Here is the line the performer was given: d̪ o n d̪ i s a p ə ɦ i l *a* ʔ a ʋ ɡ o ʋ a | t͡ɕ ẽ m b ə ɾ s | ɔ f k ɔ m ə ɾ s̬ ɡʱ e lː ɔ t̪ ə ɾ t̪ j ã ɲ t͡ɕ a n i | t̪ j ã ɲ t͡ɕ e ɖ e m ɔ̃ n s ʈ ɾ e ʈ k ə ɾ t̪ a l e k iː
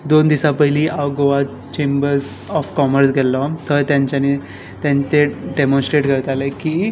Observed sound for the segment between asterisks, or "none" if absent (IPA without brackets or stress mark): i